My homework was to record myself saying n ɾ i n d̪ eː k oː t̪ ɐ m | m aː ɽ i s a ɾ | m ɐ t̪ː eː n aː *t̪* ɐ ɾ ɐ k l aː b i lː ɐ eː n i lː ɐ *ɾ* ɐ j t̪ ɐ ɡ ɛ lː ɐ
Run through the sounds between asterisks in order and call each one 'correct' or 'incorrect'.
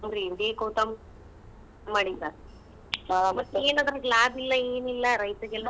incorrect, correct

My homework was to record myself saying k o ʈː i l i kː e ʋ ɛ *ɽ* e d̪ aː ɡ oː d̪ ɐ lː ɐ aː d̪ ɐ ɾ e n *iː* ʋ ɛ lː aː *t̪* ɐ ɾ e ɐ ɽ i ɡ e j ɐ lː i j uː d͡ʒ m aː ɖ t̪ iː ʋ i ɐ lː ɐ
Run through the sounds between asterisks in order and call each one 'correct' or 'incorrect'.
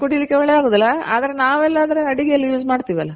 incorrect, incorrect, incorrect

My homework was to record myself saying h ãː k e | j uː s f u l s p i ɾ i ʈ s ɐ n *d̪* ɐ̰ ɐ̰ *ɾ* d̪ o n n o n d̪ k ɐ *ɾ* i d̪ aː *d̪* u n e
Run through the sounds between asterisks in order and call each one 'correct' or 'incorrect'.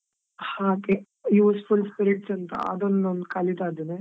incorrect, incorrect, incorrect, correct

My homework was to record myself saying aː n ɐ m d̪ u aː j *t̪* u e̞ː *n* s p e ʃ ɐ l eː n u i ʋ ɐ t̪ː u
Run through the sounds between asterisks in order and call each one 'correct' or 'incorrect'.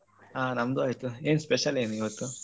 correct, correct

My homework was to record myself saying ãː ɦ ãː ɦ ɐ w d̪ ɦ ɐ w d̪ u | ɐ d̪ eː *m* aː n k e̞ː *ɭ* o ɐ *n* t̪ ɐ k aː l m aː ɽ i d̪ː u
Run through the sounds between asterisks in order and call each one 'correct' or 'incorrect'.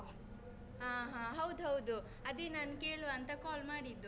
incorrect, correct, correct

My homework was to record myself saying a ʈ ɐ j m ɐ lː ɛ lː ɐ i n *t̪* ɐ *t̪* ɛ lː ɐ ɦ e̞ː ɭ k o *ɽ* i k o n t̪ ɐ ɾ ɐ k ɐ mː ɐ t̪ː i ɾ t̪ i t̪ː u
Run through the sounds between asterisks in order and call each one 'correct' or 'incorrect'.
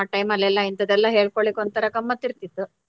correct, incorrect, incorrect

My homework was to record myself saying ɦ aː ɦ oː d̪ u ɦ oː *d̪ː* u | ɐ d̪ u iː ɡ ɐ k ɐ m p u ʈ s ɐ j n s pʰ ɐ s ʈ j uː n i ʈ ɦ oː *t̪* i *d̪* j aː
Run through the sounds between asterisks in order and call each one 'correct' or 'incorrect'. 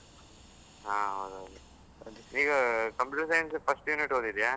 incorrect, incorrect, correct

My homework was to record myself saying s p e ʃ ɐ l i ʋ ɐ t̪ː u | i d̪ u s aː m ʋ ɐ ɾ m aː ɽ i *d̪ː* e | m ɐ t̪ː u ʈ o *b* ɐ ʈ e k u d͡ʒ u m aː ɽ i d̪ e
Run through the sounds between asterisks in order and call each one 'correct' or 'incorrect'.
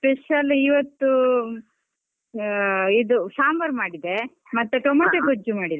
incorrect, incorrect

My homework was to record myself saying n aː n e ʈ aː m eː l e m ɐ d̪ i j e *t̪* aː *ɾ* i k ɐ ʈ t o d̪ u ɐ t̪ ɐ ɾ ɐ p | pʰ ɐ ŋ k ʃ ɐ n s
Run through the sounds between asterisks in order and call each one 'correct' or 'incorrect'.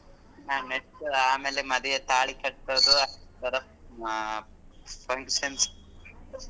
correct, incorrect

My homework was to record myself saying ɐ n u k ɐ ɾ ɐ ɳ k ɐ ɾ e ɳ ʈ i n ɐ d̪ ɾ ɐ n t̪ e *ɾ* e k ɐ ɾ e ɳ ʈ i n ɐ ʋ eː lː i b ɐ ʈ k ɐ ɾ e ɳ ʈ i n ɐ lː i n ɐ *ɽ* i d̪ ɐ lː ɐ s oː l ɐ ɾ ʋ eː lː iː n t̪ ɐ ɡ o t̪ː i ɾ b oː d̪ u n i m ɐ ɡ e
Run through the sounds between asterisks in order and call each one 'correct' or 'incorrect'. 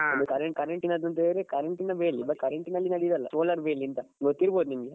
correct, correct

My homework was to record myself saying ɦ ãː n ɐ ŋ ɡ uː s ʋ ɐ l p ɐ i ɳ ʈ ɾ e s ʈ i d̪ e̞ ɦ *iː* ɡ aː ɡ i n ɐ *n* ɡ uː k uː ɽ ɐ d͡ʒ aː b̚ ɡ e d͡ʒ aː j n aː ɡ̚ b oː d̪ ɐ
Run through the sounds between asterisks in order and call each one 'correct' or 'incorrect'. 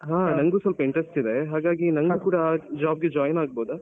incorrect, incorrect

